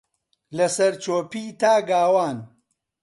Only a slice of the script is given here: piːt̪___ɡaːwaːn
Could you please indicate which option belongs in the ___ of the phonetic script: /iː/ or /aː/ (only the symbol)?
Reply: aː